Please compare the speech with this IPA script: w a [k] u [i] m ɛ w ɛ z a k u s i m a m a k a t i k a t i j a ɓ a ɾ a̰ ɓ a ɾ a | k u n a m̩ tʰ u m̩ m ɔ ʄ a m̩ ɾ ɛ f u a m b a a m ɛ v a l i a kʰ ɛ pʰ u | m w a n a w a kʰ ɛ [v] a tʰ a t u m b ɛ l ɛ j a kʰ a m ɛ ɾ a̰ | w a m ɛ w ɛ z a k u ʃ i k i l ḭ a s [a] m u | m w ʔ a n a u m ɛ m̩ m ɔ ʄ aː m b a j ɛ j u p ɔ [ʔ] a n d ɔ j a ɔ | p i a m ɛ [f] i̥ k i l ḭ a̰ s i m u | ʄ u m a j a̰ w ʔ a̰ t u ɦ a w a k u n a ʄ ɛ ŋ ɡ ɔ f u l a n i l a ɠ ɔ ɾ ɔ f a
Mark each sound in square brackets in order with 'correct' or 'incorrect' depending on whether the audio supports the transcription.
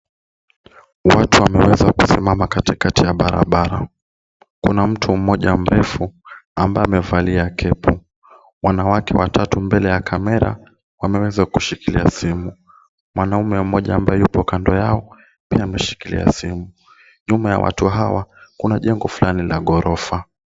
incorrect, incorrect, incorrect, incorrect, incorrect, incorrect

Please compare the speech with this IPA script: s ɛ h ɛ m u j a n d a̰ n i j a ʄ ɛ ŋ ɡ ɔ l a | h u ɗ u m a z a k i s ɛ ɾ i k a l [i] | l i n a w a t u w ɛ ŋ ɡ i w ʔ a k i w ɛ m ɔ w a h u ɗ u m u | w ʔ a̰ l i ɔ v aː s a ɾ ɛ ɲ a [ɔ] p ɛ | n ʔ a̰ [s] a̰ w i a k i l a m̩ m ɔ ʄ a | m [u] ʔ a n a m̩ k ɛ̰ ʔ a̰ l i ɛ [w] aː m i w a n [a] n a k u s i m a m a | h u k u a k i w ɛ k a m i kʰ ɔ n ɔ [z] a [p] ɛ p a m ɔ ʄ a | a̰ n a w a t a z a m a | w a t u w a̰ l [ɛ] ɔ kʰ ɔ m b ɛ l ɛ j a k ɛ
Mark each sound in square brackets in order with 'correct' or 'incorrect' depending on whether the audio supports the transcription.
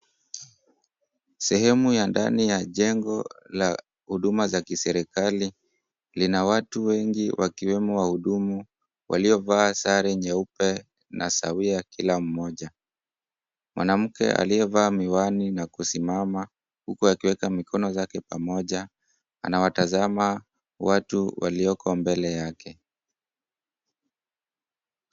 correct, incorrect, correct, incorrect, incorrect, incorrect, correct, incorrect, incorrect

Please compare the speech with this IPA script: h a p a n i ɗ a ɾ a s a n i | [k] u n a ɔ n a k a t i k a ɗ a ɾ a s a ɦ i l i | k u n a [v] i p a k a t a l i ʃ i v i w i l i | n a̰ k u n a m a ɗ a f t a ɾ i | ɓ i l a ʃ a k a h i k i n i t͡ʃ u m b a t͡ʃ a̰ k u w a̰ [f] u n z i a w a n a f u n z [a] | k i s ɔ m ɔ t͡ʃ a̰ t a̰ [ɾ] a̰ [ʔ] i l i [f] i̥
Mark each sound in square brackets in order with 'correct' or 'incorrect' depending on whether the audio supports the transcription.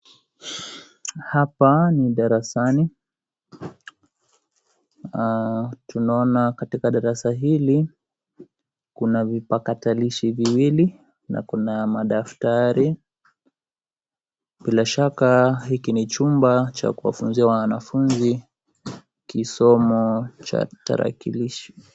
incorrect, correct, correct, incorrect, correct, incorrect, incorrect

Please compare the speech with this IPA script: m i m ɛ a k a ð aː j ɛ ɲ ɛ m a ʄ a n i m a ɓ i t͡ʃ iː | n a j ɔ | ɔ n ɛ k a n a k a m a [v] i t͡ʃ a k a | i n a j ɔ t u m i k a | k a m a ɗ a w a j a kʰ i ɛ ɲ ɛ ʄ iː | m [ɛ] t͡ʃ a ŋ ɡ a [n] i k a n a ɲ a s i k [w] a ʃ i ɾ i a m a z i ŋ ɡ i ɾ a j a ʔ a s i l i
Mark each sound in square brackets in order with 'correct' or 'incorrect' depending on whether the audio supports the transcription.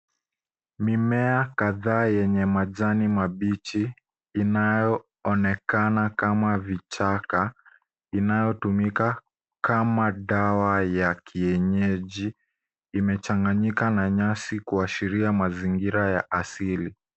correct, correct, incorrect, incorrect

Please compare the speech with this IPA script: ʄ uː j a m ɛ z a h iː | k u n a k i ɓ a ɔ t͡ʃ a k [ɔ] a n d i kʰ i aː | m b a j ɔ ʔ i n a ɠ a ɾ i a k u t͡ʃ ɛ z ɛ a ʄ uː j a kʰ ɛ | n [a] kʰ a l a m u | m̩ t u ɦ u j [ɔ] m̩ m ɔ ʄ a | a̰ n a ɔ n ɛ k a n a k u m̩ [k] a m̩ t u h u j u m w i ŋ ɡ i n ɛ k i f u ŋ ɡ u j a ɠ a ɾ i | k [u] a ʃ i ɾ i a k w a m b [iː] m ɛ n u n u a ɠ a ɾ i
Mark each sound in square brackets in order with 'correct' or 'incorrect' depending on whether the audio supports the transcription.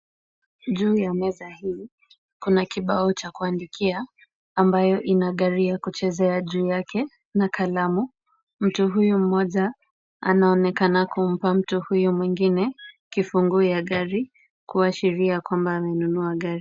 incorrect, correct, incorrect, incorrect, correct, incorrect

